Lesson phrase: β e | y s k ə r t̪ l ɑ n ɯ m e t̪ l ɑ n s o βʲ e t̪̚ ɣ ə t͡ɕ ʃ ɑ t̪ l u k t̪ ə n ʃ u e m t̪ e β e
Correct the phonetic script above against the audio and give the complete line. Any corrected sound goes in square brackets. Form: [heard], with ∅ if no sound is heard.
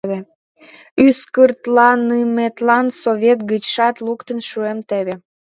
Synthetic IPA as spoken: β e | y s k ə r t̪ l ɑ n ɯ m e t̪ l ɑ n s o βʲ e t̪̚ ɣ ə t͡ɕ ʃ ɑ t̪ l u k t̪ ə n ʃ u e m t̪ e β e